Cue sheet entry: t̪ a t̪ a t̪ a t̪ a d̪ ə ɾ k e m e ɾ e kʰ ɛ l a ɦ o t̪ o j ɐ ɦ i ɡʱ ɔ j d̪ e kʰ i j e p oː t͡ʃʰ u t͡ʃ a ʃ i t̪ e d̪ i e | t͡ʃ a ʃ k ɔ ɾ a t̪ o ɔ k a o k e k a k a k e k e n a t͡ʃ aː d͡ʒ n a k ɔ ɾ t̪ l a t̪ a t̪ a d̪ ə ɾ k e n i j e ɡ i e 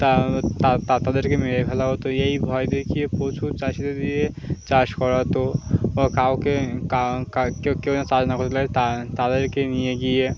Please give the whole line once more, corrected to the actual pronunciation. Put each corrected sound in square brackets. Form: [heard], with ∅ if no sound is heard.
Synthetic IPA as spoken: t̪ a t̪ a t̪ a t̪ a d̪ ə ɾ k e m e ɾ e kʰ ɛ l a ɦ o t̪ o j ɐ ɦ i [bʱ] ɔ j d̪ e kʰ i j e p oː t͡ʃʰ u t͡ʃ a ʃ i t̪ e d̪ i e | t͡ʃ a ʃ k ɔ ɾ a t̪ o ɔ k a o k e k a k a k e k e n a t͡ʃ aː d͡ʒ n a k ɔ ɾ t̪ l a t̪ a t̪ a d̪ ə ɾ k e n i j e ɡ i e